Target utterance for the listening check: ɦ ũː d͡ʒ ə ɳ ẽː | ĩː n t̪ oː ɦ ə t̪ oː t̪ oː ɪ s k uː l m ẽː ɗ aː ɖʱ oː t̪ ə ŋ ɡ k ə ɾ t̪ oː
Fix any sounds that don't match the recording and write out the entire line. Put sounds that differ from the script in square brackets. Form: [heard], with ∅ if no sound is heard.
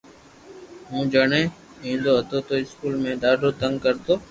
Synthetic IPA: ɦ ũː d͡ʒ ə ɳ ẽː | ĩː n [d̪] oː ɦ ə t̪ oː t̪ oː ɪ s k uː l m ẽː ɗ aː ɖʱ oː t̪ ə ŋ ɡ k ə ɾ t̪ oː